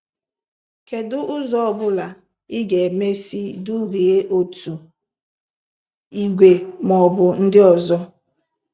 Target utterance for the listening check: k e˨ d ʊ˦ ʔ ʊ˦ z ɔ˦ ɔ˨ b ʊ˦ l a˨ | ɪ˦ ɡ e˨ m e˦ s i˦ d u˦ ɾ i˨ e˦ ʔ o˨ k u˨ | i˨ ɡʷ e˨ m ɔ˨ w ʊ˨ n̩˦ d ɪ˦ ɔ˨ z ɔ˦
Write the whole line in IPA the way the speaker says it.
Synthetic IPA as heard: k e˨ d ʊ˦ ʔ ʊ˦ z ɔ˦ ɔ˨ b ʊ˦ l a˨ | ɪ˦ ɡ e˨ m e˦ s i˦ d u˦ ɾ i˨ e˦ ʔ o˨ t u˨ | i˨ ɡʷ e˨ m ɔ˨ b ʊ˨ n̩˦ d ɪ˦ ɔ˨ z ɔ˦